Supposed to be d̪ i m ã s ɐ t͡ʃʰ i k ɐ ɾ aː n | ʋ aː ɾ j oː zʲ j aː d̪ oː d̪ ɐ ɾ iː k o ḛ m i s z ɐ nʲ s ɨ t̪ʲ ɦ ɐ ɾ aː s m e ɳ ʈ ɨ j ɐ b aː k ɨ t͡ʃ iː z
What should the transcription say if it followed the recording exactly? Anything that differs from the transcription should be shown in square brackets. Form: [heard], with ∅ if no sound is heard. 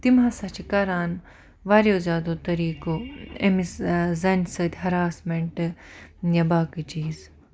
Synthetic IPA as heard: [t̪] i m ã s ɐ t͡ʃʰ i k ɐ ɾ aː n | ʋ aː ɾ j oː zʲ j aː d̪ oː [t̪] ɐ ɾ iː k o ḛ m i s z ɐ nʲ s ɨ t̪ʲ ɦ ɐ ɾ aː s m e ɳ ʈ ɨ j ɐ b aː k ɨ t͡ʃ iː z